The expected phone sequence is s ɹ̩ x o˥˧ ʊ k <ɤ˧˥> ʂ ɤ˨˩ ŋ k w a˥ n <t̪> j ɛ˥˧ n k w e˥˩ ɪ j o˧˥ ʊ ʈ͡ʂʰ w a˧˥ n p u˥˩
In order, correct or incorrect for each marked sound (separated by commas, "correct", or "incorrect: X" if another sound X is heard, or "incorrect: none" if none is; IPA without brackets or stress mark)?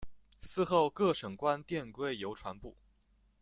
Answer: incorrect: ɤ˥˩, correct